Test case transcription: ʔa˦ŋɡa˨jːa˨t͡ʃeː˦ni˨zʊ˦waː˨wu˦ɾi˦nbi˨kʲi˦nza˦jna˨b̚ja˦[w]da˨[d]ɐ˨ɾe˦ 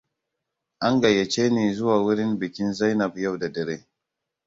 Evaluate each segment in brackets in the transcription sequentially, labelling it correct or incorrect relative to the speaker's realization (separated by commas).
correct, correct